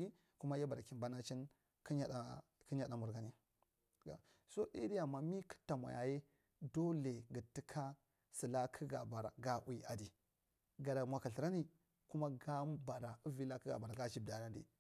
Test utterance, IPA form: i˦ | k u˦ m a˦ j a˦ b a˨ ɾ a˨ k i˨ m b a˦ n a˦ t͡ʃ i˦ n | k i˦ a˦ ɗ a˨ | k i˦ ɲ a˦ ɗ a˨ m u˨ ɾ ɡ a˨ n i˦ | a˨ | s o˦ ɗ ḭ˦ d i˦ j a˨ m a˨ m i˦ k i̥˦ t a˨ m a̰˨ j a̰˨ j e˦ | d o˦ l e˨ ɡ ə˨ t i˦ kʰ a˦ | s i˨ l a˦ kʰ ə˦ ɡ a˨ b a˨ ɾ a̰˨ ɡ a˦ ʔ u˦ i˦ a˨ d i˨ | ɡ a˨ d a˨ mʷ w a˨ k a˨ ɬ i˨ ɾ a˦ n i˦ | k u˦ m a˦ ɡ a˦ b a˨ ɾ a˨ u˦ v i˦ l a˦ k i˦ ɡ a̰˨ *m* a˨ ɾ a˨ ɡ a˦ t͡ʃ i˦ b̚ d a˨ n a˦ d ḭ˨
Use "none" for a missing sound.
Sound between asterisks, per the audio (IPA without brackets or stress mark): b